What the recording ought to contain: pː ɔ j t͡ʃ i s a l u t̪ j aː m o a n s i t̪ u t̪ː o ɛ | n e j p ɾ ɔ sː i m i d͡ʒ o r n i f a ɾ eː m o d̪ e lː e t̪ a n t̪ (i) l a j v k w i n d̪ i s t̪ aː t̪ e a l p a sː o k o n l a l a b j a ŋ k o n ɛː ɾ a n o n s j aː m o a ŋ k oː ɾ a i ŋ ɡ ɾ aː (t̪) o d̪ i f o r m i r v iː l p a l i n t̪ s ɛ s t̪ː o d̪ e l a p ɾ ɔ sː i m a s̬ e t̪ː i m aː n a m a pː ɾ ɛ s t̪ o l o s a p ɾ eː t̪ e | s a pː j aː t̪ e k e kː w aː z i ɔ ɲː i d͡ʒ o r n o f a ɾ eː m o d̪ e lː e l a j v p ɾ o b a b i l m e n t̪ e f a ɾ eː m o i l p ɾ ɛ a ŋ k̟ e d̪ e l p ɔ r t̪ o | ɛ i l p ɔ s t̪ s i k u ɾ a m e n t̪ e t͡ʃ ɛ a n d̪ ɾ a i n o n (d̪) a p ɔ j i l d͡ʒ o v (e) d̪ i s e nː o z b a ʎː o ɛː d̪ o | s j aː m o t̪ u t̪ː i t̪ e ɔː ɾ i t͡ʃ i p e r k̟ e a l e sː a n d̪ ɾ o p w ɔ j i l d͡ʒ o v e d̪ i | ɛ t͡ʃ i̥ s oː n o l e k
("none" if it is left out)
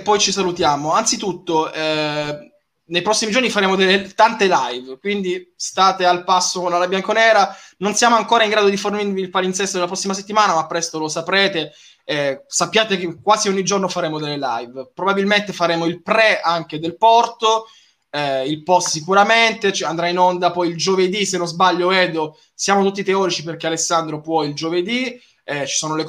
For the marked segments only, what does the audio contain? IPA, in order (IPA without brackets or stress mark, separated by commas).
e, d̪, d̪, e